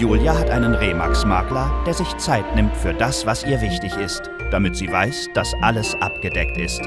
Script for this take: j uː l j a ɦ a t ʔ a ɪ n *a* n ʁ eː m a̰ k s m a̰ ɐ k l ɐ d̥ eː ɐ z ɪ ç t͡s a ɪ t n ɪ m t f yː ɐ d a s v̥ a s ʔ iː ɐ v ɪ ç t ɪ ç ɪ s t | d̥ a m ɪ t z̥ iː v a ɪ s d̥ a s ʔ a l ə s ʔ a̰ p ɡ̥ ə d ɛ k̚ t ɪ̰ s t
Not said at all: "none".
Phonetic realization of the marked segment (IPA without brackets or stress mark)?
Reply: ə